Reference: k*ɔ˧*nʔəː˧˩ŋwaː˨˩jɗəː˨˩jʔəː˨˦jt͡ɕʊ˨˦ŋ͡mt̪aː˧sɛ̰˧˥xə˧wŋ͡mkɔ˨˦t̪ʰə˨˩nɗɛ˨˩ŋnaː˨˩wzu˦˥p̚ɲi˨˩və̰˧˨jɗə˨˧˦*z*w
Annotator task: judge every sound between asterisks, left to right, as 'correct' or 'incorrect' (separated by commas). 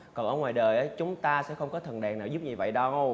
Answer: incorrect, incorrect